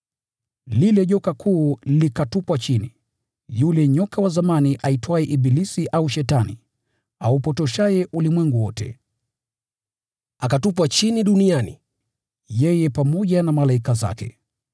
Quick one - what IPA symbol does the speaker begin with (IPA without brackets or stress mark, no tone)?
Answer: l